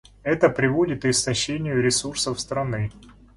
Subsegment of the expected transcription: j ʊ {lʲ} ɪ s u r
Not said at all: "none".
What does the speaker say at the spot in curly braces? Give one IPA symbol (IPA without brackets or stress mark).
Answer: ɾʲ